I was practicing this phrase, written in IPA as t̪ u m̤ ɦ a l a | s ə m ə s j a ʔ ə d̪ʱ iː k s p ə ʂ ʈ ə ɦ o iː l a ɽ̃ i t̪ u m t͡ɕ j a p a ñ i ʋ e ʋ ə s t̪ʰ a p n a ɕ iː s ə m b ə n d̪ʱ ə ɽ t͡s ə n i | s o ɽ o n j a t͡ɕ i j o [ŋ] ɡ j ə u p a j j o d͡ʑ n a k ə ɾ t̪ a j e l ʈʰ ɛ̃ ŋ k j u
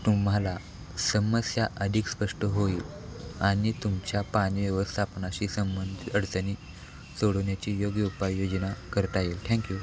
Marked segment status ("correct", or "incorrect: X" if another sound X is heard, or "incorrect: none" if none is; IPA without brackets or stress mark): incorrect: none